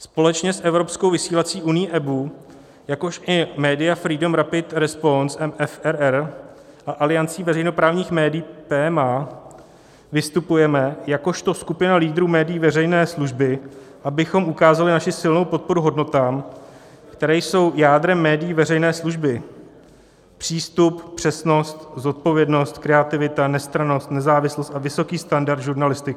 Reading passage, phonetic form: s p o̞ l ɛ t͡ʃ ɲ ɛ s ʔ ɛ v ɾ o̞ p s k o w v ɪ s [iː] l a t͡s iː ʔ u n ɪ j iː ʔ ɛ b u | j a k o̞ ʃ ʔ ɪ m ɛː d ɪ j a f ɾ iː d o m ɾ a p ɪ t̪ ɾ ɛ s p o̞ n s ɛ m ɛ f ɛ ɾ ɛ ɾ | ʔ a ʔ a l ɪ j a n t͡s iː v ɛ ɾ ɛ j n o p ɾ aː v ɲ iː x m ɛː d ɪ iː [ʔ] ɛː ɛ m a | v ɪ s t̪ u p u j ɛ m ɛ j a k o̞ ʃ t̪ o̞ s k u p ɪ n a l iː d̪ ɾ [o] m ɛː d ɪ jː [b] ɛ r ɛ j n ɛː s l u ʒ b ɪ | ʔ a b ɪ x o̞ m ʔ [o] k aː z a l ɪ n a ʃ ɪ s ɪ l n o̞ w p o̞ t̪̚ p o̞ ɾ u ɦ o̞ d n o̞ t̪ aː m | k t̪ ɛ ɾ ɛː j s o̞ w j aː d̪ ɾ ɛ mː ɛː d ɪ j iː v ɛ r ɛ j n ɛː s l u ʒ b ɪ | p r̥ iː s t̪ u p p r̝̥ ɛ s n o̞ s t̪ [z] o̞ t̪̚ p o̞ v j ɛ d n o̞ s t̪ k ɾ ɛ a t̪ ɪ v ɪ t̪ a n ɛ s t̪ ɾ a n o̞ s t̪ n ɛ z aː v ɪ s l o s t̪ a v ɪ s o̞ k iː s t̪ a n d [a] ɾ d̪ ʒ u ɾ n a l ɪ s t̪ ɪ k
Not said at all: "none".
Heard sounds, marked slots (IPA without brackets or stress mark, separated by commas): iː, p, u, v, u, z, a